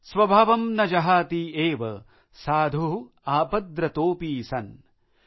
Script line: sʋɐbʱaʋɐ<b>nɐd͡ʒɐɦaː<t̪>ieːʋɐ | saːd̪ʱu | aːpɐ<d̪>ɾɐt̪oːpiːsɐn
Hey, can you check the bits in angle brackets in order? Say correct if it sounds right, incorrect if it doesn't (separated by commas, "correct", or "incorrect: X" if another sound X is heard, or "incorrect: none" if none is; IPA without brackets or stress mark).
incorrect: m, correct, correct